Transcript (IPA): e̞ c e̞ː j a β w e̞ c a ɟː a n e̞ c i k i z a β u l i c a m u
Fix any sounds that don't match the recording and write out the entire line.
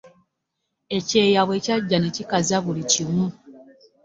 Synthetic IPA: e̞ c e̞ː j a β w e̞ c a ɟː a n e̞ c i k a z a β u l i c i m u